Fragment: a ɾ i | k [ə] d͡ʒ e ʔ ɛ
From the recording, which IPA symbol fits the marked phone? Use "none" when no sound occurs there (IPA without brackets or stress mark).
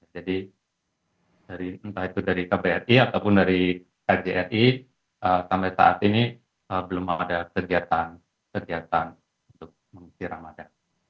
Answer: a